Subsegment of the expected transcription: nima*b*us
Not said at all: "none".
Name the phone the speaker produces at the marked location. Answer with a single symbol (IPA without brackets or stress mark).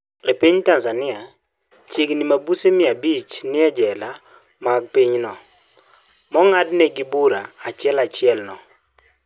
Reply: b